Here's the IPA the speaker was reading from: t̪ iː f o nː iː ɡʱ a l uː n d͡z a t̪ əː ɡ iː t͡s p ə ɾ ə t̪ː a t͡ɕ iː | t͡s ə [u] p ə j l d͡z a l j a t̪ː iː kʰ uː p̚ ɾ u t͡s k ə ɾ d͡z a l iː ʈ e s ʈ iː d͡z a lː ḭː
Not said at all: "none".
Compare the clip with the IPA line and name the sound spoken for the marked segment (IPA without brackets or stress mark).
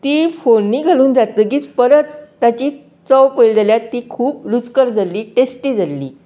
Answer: w